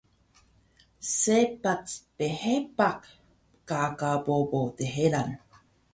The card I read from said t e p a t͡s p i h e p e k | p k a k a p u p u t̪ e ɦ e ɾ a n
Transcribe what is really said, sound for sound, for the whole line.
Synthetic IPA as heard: s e p a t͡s p e h e p a k | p k a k a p o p o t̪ e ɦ e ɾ a n